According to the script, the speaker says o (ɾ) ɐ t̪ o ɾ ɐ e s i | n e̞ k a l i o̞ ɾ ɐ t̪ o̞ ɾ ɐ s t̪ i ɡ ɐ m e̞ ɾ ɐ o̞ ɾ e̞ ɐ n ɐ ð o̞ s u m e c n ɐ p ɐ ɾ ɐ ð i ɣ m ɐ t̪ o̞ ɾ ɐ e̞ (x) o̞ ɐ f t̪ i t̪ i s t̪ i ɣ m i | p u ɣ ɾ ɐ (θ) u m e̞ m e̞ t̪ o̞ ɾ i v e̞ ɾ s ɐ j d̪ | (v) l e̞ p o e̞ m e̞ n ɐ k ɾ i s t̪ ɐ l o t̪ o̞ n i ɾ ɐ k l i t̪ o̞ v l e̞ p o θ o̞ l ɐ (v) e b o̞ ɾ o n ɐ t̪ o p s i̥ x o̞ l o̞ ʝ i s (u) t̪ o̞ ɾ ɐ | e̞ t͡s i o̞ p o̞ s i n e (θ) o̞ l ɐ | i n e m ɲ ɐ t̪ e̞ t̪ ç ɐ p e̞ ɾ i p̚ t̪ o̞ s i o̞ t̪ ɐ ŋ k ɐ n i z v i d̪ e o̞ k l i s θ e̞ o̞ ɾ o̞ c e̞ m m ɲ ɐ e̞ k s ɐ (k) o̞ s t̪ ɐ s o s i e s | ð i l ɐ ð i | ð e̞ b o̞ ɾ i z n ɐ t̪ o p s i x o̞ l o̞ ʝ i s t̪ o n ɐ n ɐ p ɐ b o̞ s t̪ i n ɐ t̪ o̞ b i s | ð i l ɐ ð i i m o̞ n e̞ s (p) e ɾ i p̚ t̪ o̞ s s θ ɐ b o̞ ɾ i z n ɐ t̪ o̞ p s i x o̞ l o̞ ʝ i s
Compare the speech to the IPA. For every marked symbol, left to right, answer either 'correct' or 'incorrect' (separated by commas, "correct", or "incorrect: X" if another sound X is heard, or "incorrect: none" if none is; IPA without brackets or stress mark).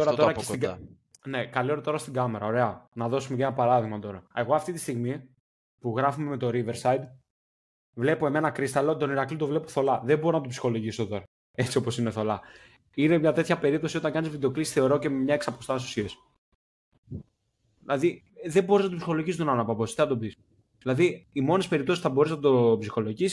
correct, incorrect: ɣ, incorrect: f, correct, incorrect: ð, incorrect: o, correct, incorrect: p, correct